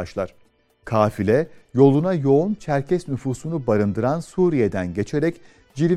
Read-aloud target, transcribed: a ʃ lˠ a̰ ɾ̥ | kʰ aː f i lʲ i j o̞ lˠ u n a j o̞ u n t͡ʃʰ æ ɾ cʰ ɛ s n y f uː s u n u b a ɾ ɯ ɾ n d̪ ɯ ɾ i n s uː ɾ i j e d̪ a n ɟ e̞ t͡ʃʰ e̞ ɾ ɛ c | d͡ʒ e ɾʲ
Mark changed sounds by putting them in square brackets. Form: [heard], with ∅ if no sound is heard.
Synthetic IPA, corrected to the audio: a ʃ lˠ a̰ ɾ̥ | kʰ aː f i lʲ [ɛ] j o̞ lˠ u n a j o̞ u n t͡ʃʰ æ ɾ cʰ ɛ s n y f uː s u n u b a ɾ ɯ [∅] n d̪ ɯ ɾ [a] n s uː ɾ i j e d̪ [æ] n ɟ e̞ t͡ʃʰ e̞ ɾ ɛ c | d͡ʒ [i] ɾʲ